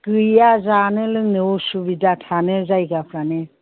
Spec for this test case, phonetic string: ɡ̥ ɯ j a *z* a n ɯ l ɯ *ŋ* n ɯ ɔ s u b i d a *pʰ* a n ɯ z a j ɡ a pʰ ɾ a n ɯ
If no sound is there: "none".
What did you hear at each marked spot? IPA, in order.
z, ŋ, tʰ

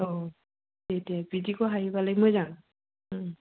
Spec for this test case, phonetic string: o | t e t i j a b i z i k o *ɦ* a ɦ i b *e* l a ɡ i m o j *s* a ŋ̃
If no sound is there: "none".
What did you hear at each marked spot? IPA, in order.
ɦ, a, z

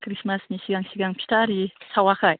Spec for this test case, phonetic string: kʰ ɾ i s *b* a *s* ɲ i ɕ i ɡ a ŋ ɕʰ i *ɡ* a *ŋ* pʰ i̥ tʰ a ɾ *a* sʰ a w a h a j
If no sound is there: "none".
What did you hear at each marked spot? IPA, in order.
m, s, ɡ, ŋ, i

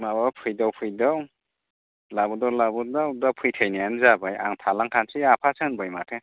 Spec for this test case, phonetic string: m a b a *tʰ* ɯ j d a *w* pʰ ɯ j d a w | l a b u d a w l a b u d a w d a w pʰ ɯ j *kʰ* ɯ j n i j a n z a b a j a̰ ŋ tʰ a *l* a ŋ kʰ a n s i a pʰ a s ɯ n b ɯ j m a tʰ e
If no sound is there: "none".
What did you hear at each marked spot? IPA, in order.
pʰ, w, tʰ, l

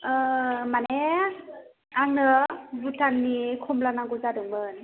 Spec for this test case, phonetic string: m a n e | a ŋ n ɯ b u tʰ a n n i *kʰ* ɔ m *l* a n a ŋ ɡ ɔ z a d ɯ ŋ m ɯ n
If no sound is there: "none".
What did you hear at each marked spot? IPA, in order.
kʰ, l

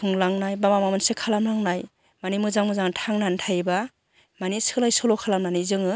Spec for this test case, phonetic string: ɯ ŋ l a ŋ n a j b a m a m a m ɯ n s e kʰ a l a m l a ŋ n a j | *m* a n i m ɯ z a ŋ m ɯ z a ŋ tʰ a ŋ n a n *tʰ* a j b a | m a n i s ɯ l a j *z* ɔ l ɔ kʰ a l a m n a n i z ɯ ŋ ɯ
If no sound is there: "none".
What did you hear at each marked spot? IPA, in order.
m, tʰ, s

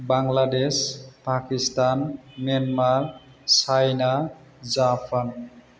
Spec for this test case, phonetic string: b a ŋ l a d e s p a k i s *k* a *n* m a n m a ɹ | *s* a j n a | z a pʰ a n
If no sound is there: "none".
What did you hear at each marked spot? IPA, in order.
t, n, s

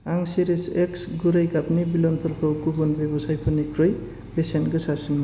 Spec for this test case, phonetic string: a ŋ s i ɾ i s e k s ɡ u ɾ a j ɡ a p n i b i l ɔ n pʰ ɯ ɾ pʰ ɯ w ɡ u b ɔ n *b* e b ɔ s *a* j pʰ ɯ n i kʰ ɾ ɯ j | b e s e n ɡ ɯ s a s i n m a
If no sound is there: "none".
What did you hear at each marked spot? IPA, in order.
b, a

